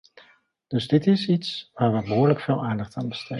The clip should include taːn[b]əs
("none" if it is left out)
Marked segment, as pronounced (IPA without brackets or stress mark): b